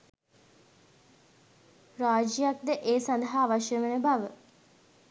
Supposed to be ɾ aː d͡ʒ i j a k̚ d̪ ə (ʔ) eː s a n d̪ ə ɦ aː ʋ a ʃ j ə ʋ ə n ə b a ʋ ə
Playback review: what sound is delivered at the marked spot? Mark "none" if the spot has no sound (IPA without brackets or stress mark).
ʔ